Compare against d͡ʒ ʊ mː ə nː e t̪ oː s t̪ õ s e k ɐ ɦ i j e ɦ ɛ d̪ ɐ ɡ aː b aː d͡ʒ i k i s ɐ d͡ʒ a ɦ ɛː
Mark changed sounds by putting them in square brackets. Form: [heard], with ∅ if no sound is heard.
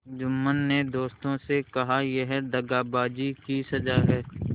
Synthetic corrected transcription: d͡ʒ ʊ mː ə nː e [d̪] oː s t̪ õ s e k ɐ ɦ [a] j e ɦ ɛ d̪ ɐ ɡ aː b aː d͡ʒ i k i s ɐ d͡ʒ a ɦ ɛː